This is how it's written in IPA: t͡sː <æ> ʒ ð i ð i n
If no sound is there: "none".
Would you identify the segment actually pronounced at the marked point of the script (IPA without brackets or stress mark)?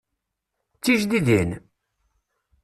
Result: i